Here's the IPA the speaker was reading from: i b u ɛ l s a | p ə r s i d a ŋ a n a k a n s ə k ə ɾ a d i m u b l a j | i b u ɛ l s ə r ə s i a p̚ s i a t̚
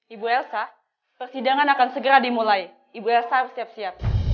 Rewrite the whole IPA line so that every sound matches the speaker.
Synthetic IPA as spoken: i b u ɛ l s a | p ə r s i d a ŋ a n a k a n s ə ɡ ə ɾ a d i m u l a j | i b u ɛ l s a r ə s i a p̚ s i a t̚